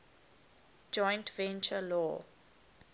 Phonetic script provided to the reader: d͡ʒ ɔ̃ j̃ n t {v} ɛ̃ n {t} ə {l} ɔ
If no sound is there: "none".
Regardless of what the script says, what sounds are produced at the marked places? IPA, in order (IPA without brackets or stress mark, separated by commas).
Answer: v, t͡ʃ, l